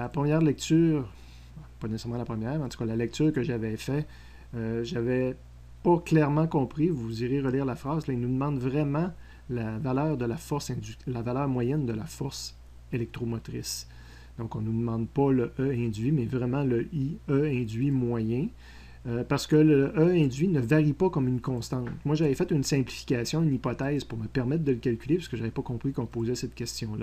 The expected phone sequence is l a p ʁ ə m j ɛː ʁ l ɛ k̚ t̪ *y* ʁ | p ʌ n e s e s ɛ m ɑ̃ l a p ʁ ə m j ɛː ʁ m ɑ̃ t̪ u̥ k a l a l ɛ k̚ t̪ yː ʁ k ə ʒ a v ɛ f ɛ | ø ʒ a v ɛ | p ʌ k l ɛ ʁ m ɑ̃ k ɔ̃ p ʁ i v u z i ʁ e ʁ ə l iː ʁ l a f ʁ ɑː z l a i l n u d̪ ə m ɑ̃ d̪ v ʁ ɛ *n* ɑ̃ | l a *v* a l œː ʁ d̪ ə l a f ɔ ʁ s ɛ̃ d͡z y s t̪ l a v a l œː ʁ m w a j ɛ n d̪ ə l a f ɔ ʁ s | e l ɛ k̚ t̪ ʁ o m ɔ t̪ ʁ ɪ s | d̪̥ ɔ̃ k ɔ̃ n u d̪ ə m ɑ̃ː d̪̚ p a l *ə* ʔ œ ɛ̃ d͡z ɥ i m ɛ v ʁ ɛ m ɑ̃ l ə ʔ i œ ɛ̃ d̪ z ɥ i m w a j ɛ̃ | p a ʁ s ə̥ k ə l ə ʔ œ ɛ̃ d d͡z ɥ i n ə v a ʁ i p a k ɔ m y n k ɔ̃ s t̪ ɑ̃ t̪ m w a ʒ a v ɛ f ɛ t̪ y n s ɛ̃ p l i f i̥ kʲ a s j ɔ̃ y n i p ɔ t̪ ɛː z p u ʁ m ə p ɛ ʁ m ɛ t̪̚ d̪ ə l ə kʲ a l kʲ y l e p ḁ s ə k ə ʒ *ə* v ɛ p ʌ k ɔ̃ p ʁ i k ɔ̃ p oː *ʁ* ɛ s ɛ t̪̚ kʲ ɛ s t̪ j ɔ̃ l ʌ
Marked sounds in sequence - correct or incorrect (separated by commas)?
incorrect, incorrect, correct, correct, incorrect, incorrect